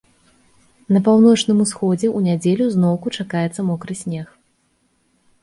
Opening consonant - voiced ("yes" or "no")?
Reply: yes